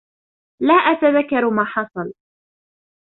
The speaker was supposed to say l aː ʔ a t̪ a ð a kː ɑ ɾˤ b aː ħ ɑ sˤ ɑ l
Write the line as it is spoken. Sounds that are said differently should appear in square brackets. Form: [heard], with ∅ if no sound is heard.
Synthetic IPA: l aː ʔ a t̪ a ð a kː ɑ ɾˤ [m] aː ħ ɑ sˤ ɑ l